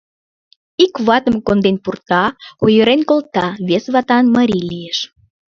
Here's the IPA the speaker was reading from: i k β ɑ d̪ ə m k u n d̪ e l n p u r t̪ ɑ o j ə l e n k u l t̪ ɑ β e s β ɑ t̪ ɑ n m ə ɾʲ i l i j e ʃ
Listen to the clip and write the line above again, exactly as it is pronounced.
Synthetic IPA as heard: i k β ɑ t̪ ə m k o n d̪ e n p u r t̪ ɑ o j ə ɾ e n k o l t̪ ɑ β e s β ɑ t̪ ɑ n m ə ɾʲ i l i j e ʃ